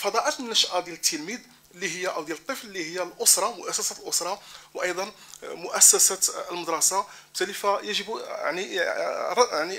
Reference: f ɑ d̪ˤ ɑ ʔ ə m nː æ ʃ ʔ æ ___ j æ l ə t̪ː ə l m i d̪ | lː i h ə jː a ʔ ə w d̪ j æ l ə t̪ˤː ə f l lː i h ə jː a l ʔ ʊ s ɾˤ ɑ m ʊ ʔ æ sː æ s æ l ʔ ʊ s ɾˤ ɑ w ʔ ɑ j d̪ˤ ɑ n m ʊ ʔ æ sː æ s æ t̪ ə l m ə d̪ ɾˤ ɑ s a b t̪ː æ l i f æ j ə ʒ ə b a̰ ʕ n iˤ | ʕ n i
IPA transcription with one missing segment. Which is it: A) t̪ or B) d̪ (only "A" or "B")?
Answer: B